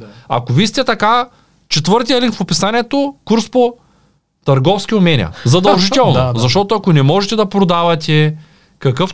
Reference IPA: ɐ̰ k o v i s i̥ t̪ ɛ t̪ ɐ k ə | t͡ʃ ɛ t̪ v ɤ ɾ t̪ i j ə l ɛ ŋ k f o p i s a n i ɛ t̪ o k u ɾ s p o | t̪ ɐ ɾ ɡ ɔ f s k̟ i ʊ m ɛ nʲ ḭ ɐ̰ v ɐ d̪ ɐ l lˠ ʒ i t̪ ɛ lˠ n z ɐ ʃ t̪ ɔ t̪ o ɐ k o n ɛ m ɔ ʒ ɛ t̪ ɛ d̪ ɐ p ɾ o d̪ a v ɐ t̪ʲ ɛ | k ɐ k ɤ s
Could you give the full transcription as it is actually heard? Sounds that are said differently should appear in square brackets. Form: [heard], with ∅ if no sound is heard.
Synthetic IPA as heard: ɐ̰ k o v i s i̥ t̪ ɛ t̪ ɐ k [a] | t͡ʃ ɛ t̪ v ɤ ɾ t̪ i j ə l [i] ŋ k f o p i s a n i ɛ t̪ o k u ɾ s p o | t̪ ɐ ɾ ɡ ɔ f s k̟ i ʊ m ɛ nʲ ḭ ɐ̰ [z] ɐ d̪ ɐ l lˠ ʒ i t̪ ɛ lˠ n z ɐ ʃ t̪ ɔ t̪ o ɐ k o n ɛ m ɔ ʒ ɛ t̪ ɛ d̪ ɐ p ɾ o d̪ a v ɐ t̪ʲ ɛ | k ɐ k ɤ [f]